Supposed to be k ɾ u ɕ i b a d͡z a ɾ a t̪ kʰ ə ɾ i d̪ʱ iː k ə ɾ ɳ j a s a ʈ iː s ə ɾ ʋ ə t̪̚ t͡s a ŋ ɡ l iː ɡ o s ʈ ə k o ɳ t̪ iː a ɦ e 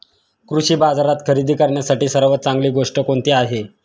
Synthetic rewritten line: k ɾ u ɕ iː b a d͡z a ɾ a t̪ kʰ ə ɾ i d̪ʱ iː k ə ɾ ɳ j a s a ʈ iː s ə ɾ ʋ ə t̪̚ t͡s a ŋ ɡ l iː ɡ o ʂ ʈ ə k o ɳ t̪ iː a ɦ e